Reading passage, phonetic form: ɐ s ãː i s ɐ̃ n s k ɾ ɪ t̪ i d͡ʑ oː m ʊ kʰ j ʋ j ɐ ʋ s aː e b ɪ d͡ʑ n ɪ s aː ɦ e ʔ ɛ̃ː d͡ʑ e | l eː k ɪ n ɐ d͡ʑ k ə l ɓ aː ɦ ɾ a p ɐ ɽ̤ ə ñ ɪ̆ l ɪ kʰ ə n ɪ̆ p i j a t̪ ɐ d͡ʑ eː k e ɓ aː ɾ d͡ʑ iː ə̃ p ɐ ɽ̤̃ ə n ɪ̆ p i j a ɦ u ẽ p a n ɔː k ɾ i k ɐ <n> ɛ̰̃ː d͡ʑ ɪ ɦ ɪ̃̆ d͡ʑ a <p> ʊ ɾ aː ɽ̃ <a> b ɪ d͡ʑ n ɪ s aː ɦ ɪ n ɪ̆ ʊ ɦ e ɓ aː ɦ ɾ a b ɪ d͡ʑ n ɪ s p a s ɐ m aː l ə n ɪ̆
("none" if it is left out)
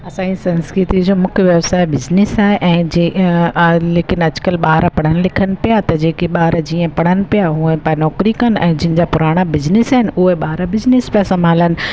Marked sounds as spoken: n, p, a

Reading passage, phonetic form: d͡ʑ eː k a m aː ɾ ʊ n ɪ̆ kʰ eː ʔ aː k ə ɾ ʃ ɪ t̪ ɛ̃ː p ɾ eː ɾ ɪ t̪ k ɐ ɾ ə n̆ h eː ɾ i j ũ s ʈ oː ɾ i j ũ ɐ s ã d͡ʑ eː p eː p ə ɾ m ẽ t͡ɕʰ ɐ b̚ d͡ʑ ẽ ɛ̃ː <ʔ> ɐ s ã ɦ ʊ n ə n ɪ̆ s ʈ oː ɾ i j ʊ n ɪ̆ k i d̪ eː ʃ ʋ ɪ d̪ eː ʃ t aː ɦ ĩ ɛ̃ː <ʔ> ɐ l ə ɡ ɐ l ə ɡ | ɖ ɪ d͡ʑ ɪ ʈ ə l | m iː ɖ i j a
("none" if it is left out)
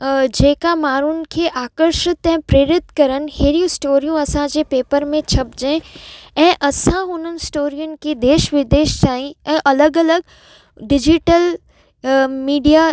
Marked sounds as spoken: ʔ, ʔ

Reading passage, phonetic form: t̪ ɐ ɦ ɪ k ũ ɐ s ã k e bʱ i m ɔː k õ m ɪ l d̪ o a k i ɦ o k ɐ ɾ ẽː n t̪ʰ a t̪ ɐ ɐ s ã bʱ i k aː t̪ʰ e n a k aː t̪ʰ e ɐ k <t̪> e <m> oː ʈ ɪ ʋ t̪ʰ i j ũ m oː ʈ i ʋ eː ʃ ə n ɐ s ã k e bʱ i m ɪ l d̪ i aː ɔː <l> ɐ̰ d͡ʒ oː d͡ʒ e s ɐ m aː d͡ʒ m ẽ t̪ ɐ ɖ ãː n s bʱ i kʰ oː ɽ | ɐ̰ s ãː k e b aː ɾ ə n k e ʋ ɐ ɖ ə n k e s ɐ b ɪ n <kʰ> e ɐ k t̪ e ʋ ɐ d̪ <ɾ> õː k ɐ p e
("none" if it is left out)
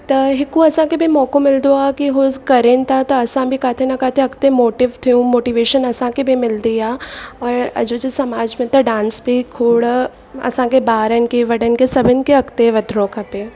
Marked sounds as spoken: t̪, m, ɾ, k, ɾ

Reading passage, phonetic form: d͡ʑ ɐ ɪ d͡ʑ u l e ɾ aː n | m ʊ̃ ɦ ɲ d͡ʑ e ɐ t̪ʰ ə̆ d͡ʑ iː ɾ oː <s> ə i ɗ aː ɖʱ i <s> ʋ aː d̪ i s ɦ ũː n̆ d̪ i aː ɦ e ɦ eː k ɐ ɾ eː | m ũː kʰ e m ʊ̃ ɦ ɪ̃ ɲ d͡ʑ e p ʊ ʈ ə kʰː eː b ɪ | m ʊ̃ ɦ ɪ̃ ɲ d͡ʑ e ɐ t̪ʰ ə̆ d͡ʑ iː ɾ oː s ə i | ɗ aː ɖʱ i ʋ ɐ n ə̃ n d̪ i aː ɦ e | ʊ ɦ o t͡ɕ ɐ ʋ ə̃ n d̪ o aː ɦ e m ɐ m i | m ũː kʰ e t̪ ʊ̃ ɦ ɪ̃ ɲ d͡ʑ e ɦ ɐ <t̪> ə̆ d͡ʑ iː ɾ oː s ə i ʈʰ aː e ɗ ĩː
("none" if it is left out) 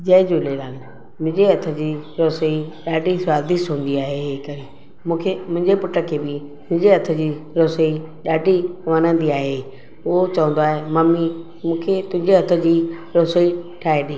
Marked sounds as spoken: s, s, t̪ʰ

